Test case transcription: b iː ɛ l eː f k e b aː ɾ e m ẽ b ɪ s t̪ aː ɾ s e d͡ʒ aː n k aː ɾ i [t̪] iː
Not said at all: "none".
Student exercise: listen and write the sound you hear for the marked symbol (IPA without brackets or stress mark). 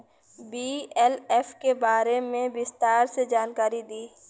d̪